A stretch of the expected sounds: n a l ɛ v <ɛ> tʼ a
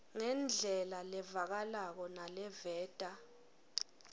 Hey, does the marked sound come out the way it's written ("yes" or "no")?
no